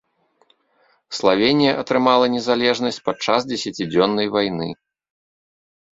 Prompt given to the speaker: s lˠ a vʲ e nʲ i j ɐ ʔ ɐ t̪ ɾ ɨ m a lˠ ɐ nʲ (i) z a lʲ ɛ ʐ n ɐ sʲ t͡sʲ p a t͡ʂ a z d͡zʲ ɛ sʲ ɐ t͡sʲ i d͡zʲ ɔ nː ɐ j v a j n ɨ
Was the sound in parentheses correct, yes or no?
no